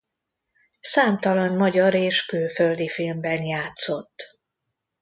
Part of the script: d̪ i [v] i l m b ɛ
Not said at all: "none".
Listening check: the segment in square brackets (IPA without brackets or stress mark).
f